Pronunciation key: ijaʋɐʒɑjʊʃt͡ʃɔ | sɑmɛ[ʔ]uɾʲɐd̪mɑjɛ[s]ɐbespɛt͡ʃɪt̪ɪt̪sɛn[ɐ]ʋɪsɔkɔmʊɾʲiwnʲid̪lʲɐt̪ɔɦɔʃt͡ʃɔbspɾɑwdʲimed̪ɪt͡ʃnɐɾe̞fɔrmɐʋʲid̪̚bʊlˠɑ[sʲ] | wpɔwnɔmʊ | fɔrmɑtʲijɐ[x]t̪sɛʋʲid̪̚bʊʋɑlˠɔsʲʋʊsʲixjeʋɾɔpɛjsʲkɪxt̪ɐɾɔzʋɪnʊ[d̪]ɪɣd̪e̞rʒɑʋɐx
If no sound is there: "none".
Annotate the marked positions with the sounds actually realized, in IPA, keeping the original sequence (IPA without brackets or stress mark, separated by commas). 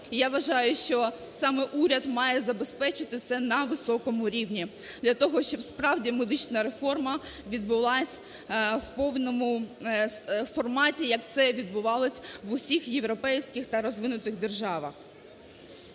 ʔ, z, ɐ, sʲ, k, t̪